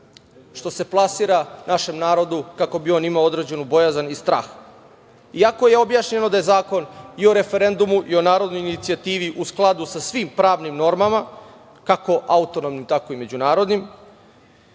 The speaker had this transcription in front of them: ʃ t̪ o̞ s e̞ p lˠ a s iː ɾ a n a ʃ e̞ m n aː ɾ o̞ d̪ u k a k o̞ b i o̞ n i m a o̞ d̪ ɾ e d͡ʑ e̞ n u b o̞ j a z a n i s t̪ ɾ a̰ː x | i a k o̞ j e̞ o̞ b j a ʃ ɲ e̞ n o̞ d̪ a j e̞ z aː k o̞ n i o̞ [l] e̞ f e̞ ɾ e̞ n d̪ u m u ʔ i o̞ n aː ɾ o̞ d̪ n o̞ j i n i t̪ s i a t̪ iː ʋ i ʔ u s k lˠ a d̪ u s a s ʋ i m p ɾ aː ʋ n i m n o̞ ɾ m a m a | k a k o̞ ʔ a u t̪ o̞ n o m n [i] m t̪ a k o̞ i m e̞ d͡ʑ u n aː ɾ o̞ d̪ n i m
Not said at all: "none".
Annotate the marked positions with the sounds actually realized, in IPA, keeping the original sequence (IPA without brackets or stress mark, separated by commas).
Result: ɾ, i